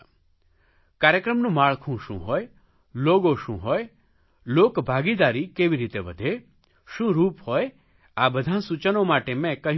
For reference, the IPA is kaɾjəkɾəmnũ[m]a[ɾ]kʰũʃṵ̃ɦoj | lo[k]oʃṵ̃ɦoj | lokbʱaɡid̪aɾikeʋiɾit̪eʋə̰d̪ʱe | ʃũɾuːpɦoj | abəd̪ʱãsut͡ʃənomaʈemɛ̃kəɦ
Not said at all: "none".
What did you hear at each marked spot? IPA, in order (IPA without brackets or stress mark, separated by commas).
m, ɭ, ɡ